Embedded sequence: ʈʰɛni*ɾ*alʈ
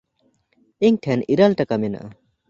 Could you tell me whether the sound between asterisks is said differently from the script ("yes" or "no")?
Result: no